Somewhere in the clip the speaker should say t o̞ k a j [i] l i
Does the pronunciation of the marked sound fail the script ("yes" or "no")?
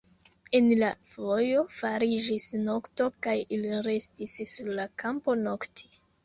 no